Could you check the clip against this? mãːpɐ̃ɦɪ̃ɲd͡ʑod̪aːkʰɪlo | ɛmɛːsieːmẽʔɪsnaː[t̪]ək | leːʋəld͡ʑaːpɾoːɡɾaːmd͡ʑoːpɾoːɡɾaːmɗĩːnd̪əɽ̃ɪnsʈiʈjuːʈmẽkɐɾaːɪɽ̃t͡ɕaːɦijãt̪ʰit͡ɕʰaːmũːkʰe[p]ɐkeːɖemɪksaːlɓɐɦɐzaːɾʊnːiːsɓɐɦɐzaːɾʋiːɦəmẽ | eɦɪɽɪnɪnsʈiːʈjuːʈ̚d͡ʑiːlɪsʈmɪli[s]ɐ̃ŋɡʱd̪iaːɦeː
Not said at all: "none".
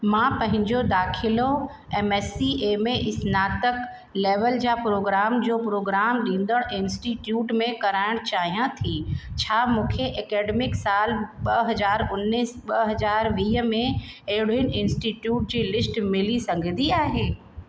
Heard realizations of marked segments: t̪, ʔ, s

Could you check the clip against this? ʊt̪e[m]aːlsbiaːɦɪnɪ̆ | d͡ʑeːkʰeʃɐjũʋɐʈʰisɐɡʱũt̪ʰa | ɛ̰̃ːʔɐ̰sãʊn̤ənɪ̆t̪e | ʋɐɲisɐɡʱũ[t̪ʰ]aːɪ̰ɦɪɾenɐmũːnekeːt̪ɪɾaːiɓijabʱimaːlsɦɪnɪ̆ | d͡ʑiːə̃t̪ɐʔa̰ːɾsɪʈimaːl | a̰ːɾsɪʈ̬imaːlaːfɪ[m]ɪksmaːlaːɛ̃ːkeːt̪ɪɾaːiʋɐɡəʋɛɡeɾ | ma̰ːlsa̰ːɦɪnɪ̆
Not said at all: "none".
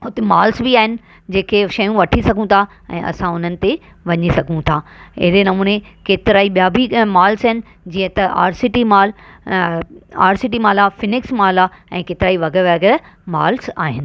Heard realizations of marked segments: m, t̪ʰ, n

